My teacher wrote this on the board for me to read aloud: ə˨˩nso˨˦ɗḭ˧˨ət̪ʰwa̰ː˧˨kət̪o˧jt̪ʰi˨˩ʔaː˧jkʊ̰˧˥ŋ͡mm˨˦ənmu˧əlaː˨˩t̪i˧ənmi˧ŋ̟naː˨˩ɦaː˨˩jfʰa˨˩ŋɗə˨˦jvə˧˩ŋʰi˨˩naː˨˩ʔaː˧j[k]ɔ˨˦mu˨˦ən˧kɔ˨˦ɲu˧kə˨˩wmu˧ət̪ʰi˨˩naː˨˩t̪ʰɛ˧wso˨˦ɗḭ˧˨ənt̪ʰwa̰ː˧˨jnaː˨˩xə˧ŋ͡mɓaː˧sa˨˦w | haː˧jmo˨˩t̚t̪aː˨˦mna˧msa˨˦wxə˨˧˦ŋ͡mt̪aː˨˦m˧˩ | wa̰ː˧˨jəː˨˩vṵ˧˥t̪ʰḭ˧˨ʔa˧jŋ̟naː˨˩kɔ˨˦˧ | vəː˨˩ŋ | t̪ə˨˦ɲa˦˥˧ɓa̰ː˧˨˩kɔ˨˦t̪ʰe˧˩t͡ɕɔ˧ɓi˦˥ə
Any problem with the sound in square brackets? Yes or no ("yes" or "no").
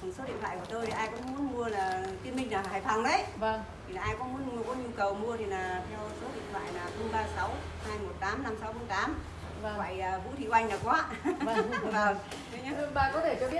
no